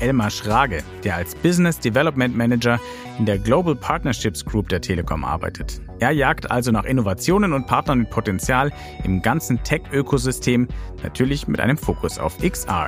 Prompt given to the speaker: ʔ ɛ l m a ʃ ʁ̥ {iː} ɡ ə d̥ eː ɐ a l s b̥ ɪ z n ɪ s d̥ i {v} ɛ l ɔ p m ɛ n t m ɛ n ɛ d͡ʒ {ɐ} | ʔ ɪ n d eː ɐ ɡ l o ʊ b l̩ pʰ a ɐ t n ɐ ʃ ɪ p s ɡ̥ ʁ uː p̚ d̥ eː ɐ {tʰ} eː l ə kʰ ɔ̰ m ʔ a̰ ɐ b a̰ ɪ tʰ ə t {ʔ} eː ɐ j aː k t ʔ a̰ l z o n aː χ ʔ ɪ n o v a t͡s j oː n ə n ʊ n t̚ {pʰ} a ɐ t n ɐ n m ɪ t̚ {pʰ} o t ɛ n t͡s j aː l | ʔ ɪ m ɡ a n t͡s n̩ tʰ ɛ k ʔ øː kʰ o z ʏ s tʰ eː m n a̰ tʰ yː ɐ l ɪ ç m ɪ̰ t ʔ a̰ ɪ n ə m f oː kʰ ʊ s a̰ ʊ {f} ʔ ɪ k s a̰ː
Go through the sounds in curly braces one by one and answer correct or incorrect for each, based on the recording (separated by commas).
incorrect, correct, correct, correct, correct, correct, correct, correct